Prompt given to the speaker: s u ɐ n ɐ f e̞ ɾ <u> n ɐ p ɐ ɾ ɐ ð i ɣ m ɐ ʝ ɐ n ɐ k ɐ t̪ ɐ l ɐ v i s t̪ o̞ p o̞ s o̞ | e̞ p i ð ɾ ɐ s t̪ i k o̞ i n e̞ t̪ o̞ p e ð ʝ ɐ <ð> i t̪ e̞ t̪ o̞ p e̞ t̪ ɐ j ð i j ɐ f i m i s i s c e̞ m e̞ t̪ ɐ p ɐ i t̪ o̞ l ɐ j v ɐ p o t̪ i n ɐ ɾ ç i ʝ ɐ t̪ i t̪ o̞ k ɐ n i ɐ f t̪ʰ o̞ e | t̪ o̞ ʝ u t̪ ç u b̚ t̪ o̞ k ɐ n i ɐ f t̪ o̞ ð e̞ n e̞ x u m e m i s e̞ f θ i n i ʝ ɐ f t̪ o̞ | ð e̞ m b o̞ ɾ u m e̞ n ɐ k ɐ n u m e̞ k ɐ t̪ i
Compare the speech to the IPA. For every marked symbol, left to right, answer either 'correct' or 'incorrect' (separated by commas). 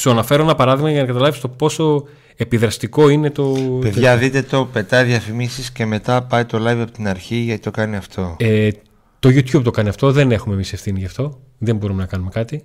incorrect, correct